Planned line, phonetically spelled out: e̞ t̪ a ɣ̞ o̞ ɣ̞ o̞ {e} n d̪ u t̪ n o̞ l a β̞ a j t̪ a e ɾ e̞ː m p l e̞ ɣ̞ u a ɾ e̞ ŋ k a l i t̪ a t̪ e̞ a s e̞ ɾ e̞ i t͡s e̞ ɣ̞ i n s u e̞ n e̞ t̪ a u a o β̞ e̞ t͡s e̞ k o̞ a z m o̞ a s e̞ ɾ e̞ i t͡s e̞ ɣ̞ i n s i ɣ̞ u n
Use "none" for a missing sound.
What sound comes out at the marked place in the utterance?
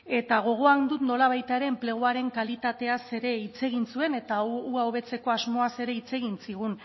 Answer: a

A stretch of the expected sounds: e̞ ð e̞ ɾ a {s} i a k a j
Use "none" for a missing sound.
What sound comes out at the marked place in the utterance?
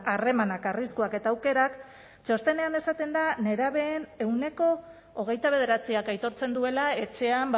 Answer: t͡s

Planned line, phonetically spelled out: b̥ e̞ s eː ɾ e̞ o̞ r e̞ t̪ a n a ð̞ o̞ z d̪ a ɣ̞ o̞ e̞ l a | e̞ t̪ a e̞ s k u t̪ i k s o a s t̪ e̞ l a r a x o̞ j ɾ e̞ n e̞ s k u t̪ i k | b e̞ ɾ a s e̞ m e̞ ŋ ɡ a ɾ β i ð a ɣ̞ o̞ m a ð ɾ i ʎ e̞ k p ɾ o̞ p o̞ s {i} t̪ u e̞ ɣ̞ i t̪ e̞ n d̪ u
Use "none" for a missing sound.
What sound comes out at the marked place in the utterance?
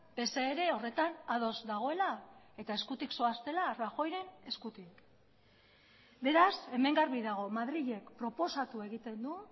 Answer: a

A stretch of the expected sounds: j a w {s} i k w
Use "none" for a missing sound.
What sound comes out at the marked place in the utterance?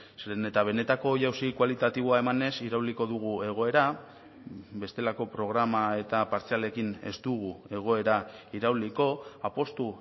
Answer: s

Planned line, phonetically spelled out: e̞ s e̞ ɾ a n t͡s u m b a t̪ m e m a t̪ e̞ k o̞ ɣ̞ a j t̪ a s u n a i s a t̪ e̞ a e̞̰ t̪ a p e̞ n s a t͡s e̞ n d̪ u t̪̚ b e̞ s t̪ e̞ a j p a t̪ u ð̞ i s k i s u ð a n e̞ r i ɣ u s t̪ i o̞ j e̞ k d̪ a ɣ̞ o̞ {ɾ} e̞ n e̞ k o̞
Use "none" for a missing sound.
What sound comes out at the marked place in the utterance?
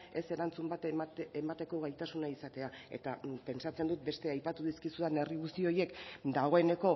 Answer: none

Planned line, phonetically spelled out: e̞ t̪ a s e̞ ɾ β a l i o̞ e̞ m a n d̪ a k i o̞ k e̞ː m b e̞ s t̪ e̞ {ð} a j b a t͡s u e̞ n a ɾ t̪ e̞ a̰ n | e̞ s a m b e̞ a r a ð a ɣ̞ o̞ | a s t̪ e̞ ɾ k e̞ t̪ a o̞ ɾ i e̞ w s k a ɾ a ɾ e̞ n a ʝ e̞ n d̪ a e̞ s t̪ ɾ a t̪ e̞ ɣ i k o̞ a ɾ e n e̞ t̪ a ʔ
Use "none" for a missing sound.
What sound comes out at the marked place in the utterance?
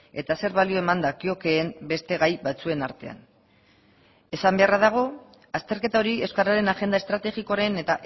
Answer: ɣ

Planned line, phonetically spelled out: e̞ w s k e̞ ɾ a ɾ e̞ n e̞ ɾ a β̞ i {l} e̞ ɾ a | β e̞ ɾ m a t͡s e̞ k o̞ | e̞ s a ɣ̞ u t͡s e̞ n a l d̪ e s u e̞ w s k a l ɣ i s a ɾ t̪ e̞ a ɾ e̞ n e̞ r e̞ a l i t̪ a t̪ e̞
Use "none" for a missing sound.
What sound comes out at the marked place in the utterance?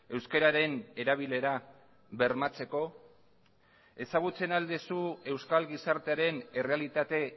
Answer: l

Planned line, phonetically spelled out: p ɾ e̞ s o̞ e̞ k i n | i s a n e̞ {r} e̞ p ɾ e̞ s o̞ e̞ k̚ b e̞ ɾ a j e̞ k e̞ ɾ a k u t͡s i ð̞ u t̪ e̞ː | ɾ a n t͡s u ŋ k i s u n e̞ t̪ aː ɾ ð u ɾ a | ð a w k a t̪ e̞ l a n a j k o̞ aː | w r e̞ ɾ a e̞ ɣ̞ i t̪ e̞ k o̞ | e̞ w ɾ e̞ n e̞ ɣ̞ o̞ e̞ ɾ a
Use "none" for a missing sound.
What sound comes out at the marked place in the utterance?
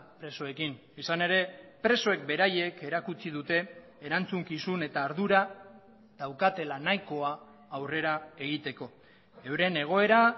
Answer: ɾ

